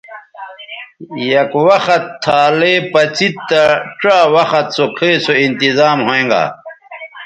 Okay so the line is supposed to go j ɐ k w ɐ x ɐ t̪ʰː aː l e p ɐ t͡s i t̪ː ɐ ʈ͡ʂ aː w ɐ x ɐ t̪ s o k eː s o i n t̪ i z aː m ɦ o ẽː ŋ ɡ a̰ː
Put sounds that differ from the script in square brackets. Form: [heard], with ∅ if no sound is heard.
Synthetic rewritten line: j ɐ k w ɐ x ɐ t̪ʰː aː l e p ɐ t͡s i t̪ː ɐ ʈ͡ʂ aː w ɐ x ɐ t̪ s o [kʰ] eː s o i n t̪ i z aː m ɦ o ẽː ŋ ɡ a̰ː